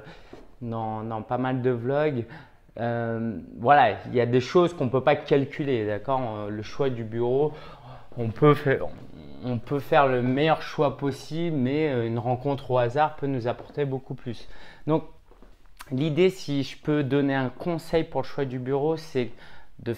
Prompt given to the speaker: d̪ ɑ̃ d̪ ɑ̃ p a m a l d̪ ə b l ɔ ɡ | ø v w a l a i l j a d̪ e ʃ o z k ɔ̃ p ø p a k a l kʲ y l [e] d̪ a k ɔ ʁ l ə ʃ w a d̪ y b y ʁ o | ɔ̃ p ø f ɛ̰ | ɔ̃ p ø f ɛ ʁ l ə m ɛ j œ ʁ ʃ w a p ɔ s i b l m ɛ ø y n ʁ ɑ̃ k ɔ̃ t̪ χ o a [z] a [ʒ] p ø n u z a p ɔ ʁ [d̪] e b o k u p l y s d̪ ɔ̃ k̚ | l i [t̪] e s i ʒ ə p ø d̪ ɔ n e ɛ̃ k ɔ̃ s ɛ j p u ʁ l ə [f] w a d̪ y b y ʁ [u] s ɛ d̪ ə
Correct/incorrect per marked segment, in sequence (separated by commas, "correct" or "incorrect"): correct, correct, incorrect, incorrect, incorrect, incorrect, incorrect